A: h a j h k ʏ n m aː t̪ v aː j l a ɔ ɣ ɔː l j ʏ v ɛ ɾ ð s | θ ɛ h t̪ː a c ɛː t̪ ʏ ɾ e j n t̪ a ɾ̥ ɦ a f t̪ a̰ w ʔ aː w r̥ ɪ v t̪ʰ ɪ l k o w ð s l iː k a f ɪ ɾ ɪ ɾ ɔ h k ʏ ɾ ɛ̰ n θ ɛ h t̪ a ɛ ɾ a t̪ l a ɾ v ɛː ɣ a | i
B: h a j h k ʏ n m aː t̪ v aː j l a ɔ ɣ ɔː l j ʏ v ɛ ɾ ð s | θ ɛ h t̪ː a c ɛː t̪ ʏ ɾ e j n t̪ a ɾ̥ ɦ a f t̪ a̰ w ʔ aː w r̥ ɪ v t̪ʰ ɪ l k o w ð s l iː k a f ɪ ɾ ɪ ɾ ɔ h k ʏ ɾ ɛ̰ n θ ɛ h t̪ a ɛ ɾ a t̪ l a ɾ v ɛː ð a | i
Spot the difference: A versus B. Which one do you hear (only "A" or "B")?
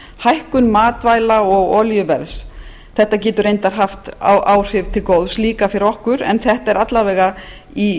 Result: A